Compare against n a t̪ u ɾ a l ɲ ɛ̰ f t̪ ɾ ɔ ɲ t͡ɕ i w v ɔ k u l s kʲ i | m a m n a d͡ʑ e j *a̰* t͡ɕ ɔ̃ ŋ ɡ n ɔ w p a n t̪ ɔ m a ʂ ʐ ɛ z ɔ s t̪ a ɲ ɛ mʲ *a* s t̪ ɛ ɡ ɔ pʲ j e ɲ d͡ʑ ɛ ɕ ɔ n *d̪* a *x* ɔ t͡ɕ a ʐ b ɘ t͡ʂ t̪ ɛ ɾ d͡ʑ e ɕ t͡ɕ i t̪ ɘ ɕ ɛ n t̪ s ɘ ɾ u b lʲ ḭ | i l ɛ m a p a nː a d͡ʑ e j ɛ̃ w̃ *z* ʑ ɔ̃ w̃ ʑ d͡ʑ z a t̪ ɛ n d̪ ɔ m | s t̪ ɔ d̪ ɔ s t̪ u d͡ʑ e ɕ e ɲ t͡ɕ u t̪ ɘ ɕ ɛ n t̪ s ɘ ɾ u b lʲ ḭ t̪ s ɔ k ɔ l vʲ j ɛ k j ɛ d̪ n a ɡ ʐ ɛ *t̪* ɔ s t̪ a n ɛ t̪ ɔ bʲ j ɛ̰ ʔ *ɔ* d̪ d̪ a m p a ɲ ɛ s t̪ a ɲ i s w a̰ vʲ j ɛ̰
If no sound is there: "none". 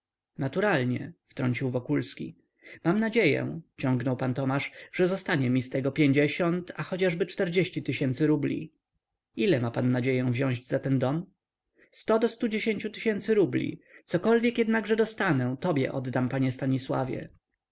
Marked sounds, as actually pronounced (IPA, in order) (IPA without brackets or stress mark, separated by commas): ɛ̰, i, t̪, x, v, d̪, ɔ